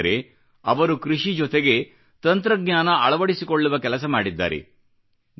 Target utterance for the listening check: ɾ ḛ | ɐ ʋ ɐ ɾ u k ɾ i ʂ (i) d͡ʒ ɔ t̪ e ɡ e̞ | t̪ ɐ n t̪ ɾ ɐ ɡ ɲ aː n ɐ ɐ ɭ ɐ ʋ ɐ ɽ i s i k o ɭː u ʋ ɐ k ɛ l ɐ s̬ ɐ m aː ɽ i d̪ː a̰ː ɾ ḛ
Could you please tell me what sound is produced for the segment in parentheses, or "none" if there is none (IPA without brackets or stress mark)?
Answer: i